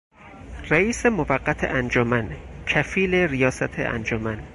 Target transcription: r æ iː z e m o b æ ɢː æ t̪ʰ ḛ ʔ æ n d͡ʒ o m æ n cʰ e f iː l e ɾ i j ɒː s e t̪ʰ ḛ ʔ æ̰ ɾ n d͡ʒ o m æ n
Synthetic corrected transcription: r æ iː s e m o v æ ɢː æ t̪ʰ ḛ ʔ æ n d͡ʒ o m æ n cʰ æ f iː l e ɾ i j ɒː s æ t̪ʰ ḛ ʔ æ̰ n d͡ʒ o m æ n